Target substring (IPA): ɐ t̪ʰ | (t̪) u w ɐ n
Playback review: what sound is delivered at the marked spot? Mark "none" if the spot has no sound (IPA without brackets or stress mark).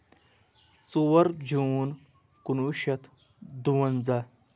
d̪